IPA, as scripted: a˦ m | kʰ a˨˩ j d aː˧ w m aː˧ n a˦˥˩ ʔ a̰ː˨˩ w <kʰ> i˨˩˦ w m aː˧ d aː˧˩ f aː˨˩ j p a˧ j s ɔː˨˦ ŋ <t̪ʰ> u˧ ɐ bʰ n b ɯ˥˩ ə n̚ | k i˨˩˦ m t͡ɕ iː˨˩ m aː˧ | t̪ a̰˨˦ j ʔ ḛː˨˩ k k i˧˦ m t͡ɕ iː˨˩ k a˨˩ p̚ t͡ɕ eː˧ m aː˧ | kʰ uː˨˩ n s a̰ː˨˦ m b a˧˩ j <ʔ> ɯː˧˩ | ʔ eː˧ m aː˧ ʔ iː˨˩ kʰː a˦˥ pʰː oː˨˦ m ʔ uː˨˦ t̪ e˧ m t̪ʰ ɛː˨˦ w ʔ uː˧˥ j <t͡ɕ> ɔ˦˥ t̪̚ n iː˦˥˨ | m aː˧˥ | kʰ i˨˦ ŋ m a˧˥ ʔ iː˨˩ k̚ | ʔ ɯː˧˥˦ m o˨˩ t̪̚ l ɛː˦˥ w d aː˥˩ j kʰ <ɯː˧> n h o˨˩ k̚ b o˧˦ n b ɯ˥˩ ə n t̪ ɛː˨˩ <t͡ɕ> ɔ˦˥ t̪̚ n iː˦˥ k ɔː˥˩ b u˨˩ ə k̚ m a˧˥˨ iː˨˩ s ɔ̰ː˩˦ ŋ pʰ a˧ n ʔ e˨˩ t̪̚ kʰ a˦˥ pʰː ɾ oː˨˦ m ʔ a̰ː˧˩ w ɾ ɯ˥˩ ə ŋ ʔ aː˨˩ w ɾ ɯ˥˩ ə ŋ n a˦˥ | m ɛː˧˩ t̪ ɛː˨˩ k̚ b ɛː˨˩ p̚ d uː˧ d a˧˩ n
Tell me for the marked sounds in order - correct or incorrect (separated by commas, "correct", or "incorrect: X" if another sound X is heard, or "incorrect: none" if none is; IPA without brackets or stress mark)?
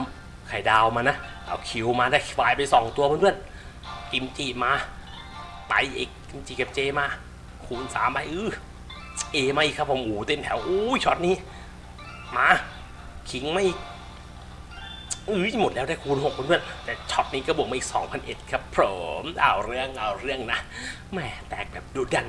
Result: correct, incorrect: t̪, correct, incorrect: t͡ɕʰ, incorrect: uː˧, incorrect: t͡ɕʰ